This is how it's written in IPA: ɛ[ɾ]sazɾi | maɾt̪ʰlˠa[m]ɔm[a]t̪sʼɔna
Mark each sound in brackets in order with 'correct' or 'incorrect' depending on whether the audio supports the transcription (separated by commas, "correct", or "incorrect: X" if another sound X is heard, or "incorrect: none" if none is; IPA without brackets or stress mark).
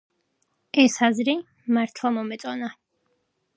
incorrect: none, correct, incorrect: ɛ